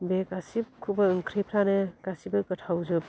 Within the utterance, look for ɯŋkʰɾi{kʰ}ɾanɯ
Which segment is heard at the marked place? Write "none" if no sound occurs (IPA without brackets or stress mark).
pʰ